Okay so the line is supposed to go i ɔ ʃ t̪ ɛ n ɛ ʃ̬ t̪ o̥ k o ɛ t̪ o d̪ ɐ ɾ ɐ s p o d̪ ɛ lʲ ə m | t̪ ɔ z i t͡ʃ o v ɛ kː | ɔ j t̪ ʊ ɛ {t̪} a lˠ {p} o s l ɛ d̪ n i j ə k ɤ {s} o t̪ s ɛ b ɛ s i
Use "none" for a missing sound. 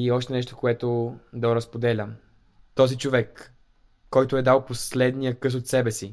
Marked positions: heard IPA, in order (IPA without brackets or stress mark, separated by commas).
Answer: d̪, p, s